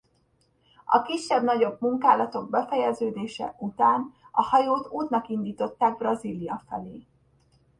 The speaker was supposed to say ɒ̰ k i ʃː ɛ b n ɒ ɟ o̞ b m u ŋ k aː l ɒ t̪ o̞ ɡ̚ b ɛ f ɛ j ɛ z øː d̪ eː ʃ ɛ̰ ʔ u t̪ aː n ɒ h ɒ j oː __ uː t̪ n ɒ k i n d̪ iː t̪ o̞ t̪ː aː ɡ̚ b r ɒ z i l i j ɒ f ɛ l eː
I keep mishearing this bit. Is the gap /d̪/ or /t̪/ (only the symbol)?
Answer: t̪